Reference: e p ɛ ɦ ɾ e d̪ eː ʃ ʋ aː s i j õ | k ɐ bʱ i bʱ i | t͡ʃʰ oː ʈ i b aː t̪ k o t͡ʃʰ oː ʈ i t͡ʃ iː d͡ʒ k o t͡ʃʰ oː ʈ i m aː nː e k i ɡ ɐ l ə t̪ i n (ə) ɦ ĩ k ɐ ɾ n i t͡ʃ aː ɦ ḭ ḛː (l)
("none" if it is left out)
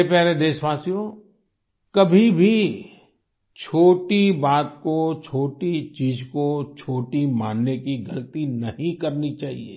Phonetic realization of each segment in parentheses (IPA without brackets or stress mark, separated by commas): ɐ, none